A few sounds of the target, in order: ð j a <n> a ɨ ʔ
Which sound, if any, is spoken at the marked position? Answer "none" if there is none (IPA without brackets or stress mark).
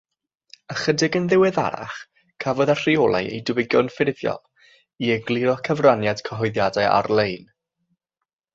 d